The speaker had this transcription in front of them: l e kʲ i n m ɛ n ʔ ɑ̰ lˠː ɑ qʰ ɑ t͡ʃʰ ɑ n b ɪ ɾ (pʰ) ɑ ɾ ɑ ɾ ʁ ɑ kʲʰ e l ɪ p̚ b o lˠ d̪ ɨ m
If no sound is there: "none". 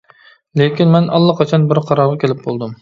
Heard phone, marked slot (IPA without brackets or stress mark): qʰ